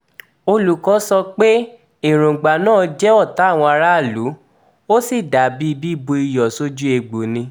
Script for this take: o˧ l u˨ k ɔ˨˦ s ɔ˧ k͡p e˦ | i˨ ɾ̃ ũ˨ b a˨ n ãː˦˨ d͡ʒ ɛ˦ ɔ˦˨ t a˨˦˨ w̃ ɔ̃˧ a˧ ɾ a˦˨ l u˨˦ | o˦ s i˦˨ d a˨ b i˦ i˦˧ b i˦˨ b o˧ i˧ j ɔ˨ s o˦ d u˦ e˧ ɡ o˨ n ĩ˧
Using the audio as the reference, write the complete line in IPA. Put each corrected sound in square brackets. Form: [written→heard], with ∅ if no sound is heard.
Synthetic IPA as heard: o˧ l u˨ k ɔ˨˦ s ɔ˧ k͡p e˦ | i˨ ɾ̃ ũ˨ [b→ɡ͡b] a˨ n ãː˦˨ d͡ʒ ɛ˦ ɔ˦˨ t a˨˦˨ w̃ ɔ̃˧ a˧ ɾ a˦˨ l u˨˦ | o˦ s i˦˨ d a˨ b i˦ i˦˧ b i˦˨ b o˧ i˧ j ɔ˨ s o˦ [d→d͡ʒ] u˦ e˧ [ɡ→ɡ͡b] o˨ n ĩ˧